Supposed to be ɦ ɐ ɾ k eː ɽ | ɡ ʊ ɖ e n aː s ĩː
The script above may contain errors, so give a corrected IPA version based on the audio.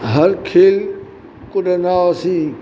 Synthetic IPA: ɦ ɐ ɾ kʰ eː l | k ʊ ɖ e n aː s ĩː